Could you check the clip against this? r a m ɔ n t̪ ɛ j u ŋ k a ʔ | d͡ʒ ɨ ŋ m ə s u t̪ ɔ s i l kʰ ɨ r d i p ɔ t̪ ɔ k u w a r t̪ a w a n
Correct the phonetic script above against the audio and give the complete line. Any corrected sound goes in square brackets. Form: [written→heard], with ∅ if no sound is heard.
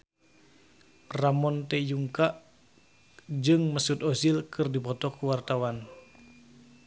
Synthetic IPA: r a m ɔ n t̪ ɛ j u ŋ k a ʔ | d͡ʒ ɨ ŋ m ə s u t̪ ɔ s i l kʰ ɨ r d i p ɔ t̪ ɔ k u w a r t̪ a w a n